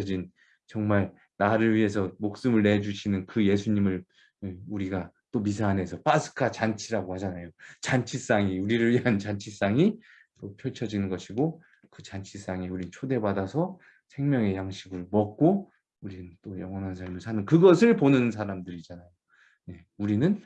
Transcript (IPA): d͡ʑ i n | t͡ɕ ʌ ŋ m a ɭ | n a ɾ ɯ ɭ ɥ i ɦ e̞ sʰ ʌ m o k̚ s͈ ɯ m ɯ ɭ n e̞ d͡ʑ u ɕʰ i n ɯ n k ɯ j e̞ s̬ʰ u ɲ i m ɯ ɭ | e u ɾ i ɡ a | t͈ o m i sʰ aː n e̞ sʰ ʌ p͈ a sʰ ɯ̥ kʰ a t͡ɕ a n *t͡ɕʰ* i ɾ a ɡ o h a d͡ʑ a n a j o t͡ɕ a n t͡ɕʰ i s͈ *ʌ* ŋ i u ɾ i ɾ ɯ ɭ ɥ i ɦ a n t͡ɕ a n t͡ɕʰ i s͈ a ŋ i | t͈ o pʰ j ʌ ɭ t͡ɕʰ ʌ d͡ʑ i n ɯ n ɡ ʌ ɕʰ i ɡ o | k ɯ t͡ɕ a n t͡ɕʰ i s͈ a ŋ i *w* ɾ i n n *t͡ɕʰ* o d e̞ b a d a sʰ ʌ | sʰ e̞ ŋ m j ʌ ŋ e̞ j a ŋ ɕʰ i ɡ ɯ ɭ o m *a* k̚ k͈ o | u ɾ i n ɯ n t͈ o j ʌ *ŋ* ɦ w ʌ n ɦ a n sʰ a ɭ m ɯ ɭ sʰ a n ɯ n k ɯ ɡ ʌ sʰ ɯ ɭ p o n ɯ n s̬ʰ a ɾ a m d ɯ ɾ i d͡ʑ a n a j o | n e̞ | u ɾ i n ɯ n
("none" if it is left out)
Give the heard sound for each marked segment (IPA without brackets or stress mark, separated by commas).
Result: t͡ɕʰ, a, u, t͡ɕʰ, ʌ, ŋ